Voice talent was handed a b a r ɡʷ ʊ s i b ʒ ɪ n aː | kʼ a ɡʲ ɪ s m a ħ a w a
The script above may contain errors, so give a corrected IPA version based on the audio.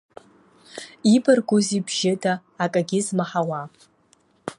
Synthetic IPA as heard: i b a r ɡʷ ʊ z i b ʒ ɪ d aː | kʼ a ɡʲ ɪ z m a ħ a w a